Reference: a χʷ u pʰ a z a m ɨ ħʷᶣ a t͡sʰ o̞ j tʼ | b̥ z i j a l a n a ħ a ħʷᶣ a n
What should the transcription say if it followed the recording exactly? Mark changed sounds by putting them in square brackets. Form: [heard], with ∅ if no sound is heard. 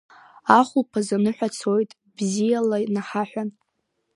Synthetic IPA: a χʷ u pʰ a z a [n] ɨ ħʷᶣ a t͡sʰ o̞ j tʼ | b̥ z i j a l a n a ħ a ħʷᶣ a n